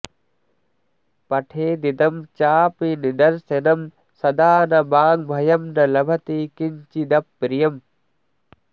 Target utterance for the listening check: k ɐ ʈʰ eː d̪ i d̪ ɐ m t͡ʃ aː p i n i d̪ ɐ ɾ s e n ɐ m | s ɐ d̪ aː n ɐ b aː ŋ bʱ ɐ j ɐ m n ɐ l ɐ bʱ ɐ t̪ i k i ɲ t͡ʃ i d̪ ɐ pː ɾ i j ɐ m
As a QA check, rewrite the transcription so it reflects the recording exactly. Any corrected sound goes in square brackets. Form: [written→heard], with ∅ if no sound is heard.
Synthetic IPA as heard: [k→p] ɐ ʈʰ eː d̪ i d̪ ɐ m t͡ʃ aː p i n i d̪ ɐ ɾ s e n ɐ m | s ɐ d̪ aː n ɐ b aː ŋ bʱ ɐ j ɐ m n ɐ l ɐ bʱ ɐ t̪ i k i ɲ t͡ʃ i d̪ ɐ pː ɾ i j ɐ m